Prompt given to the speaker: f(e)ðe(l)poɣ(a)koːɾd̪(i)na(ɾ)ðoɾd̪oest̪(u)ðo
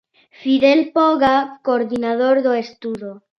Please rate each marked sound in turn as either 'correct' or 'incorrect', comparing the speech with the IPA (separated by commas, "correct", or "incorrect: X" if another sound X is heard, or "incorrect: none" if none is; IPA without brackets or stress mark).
incorrect: i, correct, correct, correct, incorrect: none, correct